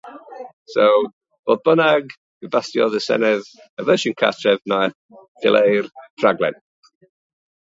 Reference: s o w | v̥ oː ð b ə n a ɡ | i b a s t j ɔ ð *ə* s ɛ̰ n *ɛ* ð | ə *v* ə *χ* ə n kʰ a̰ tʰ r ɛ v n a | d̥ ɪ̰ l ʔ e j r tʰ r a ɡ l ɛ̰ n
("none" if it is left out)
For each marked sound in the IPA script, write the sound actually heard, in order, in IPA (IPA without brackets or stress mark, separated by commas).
ə, ɛ, v, ʃ